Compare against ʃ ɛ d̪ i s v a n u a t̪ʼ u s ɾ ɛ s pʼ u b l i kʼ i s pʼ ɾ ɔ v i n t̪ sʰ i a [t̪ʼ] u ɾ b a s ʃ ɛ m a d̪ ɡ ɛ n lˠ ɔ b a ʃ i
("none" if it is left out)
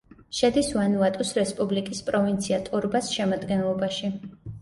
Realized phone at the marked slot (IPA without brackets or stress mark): t̪ʼ